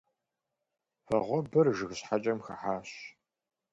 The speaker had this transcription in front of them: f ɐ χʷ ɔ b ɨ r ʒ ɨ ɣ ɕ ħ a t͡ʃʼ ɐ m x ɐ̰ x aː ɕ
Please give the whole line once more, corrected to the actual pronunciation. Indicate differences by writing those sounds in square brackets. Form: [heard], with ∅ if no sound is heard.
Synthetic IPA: f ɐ [ʁʷ] ɔ b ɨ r ʒ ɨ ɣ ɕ ħ a t͡ʃʼ ɐ m x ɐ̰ [ħ] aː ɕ